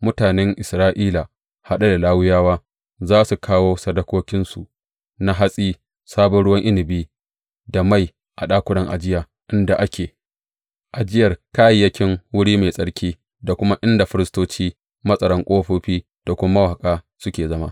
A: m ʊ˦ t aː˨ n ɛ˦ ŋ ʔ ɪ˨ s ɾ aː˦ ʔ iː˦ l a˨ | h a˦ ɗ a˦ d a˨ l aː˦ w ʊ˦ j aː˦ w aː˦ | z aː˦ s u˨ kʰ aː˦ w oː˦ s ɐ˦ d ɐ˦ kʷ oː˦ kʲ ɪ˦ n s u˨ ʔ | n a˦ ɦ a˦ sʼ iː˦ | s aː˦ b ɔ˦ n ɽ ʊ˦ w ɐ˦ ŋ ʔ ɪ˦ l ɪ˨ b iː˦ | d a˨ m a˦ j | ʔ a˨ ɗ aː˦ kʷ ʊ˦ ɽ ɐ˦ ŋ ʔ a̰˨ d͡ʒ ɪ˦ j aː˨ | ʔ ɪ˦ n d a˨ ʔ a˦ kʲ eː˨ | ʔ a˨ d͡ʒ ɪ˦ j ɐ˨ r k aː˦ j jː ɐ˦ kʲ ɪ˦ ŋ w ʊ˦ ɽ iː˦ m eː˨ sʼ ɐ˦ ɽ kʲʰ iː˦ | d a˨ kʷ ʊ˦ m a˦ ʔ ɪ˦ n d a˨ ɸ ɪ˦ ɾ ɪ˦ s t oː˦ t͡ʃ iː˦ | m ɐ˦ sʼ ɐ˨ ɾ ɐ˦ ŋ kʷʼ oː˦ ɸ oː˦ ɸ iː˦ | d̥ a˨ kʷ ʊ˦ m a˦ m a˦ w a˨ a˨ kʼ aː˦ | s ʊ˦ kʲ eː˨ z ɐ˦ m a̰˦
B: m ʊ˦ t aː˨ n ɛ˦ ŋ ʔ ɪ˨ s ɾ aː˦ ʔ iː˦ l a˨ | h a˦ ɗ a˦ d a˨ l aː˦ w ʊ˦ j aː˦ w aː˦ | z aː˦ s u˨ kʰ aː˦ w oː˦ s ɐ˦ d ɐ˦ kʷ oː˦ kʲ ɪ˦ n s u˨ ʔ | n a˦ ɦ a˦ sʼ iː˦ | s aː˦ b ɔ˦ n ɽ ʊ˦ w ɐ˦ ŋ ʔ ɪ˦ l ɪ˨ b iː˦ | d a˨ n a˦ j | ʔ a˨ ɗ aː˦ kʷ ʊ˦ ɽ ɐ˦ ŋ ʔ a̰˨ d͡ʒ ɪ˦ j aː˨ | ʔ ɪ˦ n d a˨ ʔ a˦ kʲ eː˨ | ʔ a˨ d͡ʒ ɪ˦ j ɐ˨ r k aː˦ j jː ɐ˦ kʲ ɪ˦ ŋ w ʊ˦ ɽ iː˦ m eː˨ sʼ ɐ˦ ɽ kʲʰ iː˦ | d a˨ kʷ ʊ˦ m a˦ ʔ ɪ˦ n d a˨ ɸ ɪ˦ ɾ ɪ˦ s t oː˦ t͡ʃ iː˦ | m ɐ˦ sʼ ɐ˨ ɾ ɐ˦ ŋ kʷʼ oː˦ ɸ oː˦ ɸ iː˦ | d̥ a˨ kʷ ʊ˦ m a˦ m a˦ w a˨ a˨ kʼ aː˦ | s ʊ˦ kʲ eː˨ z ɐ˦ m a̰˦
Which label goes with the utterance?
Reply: A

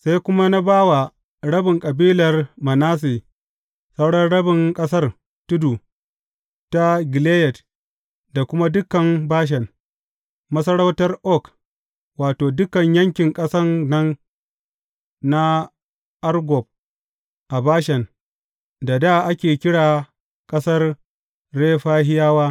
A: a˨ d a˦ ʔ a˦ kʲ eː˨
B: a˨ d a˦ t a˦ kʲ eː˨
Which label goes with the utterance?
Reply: A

